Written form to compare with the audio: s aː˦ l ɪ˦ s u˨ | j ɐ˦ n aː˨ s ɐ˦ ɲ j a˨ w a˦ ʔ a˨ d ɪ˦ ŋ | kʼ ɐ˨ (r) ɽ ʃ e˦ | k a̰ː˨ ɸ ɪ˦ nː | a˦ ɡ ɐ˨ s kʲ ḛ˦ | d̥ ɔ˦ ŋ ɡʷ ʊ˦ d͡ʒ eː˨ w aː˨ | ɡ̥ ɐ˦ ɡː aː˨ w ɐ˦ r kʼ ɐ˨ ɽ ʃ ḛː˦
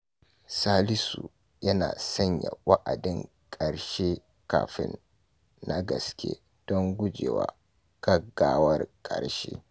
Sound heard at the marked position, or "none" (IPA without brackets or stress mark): none